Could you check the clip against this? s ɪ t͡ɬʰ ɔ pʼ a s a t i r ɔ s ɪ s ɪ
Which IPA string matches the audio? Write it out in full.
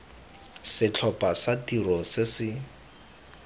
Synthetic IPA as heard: s ɪ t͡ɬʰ ɔ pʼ a s a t i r ɔ s ɪ s ɪ